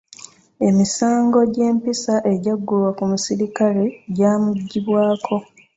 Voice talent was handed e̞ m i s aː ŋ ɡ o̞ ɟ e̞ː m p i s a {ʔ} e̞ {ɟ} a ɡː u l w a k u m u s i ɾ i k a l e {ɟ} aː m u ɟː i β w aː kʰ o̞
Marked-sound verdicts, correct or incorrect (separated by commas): correct, correct, correct